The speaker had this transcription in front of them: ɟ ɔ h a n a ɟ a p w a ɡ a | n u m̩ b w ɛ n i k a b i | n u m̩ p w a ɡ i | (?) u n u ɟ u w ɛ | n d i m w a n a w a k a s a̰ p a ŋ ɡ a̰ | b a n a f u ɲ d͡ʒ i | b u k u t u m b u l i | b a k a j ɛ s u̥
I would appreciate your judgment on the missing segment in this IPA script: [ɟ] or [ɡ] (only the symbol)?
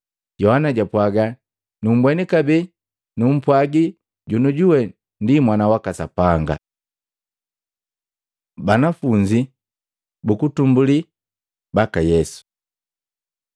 ɟ